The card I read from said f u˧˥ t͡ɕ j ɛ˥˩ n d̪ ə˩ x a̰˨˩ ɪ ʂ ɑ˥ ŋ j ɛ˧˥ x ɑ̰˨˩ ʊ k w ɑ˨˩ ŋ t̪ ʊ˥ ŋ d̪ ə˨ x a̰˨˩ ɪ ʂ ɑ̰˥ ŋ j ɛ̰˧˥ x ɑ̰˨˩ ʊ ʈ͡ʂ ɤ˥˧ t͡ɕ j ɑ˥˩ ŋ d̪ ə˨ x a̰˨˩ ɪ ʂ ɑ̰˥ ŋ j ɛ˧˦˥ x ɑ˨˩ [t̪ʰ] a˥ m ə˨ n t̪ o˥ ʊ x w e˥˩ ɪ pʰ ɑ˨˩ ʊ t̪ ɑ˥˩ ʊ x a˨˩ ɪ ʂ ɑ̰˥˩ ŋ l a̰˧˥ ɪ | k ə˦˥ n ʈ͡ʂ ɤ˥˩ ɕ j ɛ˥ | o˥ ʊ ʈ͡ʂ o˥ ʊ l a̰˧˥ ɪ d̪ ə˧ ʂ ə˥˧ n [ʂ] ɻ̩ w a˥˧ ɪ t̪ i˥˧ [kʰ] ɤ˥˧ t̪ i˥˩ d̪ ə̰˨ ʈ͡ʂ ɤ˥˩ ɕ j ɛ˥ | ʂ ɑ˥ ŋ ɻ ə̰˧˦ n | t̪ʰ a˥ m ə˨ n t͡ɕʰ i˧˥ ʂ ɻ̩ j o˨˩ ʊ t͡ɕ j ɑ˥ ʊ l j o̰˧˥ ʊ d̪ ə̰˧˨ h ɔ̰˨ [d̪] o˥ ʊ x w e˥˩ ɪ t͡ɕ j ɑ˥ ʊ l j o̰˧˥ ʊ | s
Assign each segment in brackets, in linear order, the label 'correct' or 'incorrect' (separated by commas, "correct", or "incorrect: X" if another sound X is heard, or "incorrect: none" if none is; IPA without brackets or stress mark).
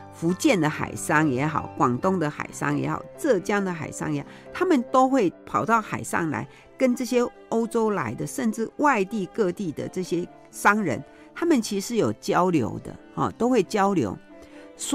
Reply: correct, incorrect: ʈ͡ʂ, incorrect: k, incorrect: t̪